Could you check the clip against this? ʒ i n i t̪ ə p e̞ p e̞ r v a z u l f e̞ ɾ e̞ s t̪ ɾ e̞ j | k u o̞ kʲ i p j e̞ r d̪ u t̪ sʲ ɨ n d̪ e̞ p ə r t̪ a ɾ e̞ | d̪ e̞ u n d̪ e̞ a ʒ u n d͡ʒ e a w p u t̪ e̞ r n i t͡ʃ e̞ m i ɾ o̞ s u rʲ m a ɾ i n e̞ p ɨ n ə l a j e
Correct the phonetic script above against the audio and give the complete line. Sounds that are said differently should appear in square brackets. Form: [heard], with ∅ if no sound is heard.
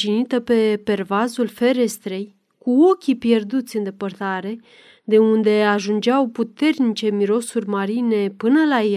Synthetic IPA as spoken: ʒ i n i t̪ ə p e̞ p e̞ r v a z u l f e̞ ɾ e̞ s t̪ ɾ e̞ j | k u o̞ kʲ i p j e̞ r d̪ u t̪ sʲ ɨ n d̪ e̞ p ə r t̪ a ɾ e̞ | d̪ e̞ u n d̪ e̞ a ʒ u n d͡ʒ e a w p u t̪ e̞ r n i t͡ʃ e̞ m i ɾ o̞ s u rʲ m a ɾ i n e̞ p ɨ n ə l a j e